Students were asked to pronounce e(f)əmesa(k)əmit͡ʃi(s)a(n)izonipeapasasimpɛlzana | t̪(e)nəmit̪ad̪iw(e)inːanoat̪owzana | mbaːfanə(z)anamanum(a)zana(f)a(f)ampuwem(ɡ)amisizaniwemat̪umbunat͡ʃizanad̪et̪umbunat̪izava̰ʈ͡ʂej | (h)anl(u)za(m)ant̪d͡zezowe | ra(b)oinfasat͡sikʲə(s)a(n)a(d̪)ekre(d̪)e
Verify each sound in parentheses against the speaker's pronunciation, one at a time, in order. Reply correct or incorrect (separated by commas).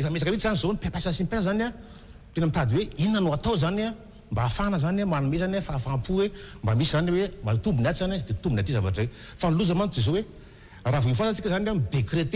correct, correct, incorrect, correct, correct, correct, correct, incorrect, correct, correct, incorrect, incorrect, correct, correct, incorrect, incorrect, correct, correct, incorrect